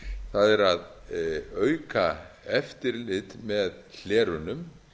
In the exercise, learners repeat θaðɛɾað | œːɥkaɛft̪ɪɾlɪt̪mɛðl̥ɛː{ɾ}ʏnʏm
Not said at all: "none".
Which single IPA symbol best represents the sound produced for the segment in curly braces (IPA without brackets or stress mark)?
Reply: ɾ